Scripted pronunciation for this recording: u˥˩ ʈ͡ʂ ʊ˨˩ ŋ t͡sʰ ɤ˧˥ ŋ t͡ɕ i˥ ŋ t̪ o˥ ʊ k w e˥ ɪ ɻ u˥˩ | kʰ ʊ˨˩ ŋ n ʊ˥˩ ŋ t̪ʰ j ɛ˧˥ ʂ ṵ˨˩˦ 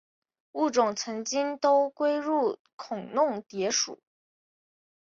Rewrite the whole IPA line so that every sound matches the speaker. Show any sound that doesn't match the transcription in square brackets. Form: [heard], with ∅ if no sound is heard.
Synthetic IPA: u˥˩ ʈ͡ʂ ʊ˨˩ ŋ t͡sʰ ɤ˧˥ ŋ t͡ɕ i˥ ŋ t̪ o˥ ʊ k w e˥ ɪ ɻ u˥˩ | kʰ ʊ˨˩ ŋ n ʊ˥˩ ŋ [t̪] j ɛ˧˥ ʂ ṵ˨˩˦